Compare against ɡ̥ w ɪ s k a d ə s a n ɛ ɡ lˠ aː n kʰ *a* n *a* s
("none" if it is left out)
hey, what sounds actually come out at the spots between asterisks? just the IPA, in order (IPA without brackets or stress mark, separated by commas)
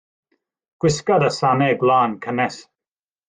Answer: ə, ɛ